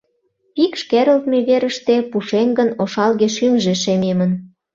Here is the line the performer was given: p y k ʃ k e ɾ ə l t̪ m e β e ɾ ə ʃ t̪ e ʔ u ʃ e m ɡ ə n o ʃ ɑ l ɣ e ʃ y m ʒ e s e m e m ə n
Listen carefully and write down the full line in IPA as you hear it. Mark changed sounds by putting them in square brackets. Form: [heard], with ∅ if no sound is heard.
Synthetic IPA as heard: p [i] k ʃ k e ɾ ə l t̪ m e β e ɾ ə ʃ t̪ e [p] u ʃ e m ɡ ə n o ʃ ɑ l ɣ e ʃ y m ʒ e [ʃ] e m e m ə n